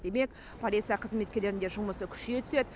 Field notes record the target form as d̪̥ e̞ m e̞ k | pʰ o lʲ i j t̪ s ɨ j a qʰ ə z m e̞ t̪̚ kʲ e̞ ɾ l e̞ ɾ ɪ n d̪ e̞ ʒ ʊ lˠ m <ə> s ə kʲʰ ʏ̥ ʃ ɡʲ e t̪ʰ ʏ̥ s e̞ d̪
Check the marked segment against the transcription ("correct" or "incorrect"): correct